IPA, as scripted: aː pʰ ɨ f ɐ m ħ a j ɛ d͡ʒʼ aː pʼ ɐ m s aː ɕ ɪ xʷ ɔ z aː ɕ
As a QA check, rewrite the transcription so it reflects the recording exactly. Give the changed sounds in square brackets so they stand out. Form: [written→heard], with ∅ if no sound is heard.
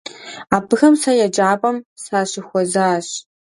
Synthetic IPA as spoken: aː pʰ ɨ [f→x] ɐ m [ħ→s] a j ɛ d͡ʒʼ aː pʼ ɐ m s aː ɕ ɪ xʷ ɔ z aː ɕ